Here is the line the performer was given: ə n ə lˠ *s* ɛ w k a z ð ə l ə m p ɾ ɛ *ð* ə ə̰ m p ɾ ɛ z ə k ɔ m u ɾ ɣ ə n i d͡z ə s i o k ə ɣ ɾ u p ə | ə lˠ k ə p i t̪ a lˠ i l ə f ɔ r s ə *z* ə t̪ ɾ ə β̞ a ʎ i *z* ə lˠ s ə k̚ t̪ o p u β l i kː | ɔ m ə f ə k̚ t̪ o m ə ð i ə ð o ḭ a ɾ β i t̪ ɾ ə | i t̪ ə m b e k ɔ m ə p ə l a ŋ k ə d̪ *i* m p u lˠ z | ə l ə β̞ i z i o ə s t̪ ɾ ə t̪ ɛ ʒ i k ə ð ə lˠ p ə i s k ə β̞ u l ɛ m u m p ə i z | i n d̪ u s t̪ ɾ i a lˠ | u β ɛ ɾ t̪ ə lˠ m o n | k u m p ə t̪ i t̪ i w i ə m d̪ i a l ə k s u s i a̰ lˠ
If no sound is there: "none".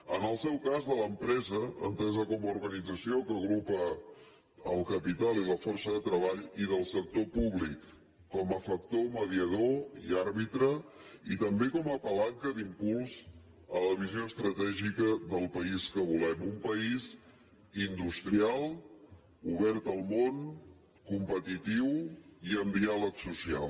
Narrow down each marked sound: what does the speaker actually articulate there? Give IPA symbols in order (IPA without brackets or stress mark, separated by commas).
s, z, ð, ð, i